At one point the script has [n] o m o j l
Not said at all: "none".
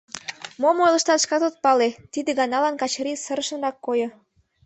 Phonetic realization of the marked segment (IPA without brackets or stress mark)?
m